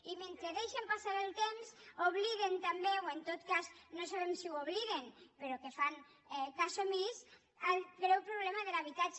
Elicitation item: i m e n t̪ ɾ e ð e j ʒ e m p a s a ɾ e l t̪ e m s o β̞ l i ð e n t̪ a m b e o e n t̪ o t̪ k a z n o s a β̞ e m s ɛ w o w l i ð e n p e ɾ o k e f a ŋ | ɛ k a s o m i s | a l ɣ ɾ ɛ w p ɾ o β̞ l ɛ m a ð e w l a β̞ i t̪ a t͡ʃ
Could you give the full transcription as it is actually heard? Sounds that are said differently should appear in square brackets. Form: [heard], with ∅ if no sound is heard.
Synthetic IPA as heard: i m e n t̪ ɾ e ð e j [ʃ] e m p a s a ɾ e l t̪ e m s o β̞ l i ð e n t̪ a m b e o e n t̪ o t̪ k a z n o s a β̞ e m s [i] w o [β] l i ð e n p e ɾ o k e f a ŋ | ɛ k a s o m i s | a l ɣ ɾ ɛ w p ɾ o β̞ l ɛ m a ð e [∅] l a β̞ i t̪ a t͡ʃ